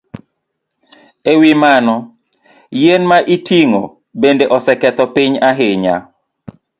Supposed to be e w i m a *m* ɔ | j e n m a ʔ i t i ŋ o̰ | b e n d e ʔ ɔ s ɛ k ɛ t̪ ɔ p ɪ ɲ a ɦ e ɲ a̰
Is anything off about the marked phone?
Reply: yes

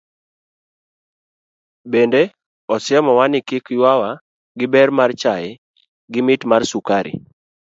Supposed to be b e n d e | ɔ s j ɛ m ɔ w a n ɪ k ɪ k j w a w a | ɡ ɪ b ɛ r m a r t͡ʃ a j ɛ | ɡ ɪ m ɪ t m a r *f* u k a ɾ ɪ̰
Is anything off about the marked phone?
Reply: yes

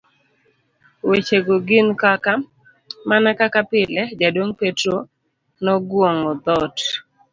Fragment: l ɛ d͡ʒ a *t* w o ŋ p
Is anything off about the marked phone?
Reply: yes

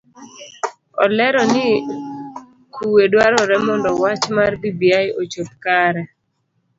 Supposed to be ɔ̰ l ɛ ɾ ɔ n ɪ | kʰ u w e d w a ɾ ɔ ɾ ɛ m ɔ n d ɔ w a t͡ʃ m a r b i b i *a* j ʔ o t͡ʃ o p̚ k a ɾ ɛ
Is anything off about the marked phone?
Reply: no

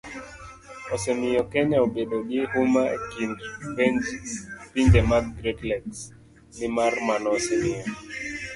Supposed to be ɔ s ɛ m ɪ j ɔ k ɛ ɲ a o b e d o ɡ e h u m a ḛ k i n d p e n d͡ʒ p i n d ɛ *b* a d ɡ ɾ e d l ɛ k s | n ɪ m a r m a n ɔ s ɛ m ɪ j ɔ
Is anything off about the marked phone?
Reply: yes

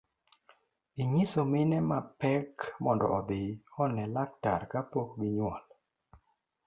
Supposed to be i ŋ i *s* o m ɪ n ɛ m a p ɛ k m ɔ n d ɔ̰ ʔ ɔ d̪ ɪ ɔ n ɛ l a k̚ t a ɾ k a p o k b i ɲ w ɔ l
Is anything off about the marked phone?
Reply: no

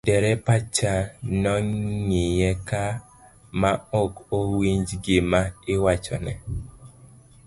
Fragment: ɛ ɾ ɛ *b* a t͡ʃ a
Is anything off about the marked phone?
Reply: yes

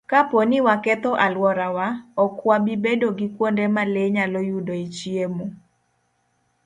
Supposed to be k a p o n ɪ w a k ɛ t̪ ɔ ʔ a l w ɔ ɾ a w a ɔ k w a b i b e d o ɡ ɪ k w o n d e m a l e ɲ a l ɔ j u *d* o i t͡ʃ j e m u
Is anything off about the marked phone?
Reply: no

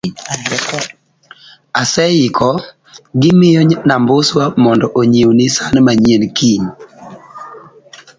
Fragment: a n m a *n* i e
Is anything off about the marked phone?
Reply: yes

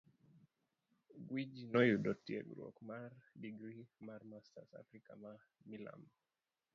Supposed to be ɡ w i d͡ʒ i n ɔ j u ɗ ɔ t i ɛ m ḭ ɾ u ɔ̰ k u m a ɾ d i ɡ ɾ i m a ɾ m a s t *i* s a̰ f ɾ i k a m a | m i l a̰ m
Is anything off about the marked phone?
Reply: yes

